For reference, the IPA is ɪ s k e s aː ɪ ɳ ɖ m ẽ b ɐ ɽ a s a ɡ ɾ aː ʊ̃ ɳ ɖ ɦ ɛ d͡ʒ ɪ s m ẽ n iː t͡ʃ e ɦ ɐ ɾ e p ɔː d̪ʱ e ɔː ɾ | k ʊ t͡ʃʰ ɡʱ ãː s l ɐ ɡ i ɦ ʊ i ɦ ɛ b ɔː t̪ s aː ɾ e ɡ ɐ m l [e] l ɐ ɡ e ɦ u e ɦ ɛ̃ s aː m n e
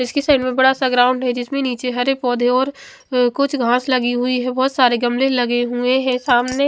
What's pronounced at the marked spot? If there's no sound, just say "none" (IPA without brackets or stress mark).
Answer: e